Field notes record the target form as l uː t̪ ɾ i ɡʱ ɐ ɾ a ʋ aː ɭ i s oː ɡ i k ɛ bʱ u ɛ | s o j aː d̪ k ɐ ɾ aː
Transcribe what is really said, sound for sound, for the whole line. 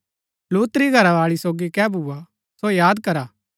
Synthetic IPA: l uː t̪ ɾ i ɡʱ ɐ ɾ a ʋ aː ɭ i s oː ɡ i k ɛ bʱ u a | s o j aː d̪ k ɐ ɾ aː